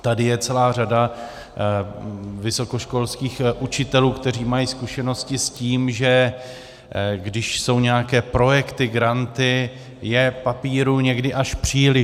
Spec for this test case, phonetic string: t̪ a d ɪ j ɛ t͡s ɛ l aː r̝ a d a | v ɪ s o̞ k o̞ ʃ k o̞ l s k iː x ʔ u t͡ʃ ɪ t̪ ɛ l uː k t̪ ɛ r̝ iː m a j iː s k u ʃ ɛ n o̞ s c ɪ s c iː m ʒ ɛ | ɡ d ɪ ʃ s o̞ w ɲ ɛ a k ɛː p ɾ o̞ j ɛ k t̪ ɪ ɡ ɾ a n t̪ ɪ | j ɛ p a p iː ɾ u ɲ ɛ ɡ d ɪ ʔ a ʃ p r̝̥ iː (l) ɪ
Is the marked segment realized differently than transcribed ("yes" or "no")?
no